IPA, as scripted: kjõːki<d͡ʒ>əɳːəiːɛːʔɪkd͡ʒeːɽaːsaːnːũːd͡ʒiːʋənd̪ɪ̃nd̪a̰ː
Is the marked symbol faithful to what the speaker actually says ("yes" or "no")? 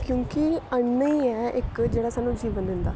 no